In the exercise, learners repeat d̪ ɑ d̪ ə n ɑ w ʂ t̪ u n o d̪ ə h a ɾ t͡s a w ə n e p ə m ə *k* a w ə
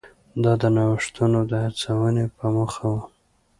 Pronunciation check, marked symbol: incorrect: x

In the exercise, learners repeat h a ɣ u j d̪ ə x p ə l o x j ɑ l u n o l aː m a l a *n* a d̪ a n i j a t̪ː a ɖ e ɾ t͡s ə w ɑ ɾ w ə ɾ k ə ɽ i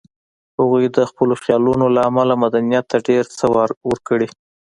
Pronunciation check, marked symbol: incorrect: m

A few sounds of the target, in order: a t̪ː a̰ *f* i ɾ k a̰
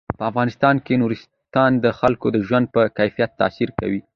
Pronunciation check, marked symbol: incorrect: s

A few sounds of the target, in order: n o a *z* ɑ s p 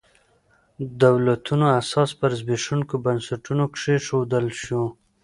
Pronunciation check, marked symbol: incorrect: s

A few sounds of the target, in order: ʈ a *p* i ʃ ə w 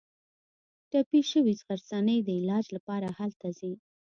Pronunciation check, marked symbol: correct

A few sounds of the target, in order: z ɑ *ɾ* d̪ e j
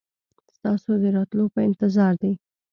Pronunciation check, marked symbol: correct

